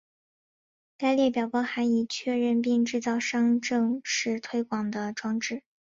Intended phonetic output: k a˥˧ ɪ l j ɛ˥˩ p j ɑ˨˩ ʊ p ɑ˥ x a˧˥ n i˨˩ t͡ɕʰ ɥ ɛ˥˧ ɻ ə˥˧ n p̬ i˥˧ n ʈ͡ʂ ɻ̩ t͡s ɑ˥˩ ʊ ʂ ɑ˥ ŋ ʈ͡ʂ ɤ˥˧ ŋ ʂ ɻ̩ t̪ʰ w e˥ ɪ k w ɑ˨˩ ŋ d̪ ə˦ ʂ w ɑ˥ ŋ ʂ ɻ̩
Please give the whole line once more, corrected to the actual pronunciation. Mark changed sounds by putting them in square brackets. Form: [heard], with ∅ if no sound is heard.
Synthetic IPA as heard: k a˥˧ ɪ l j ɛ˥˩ p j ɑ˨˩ ʊ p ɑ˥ x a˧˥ n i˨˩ t͡ɕʰ ɥ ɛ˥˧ ɻ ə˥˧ n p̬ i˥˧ [ŋ] ʈ͡ʂ ɻ̩ t͡s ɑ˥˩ ʊ ʂ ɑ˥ ŋ ʈ͡ʂ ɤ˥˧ ŋ ʂ ɻ̩ t̪ʰ w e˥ ɪ k w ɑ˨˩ ŋ d̪ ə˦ [ʈ͡ʂ] w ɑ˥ ŋ [ʈ͡ʂ] ɻ̩